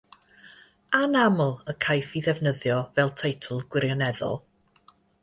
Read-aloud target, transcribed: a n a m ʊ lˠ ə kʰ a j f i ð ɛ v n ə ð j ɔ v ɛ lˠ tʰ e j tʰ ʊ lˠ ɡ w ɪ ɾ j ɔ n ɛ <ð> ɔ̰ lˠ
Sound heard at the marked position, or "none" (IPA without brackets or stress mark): ð